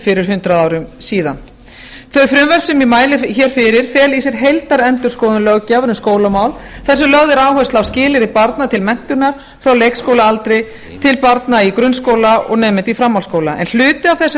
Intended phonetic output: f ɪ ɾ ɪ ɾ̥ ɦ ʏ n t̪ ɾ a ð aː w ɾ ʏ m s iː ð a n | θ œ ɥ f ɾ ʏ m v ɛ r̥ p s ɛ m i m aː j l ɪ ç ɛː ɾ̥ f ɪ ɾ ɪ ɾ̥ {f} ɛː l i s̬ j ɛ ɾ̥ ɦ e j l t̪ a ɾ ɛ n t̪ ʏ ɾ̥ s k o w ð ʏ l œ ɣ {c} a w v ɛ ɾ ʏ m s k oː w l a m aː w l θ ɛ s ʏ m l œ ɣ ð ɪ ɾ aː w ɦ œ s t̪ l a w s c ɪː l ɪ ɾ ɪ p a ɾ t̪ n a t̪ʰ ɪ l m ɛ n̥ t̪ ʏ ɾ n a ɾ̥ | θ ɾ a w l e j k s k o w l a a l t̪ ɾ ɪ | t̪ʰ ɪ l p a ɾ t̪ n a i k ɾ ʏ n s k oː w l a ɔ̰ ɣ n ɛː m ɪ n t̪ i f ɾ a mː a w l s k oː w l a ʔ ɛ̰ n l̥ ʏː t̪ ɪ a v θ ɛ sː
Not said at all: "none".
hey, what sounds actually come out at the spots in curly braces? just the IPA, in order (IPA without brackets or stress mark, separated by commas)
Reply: f, c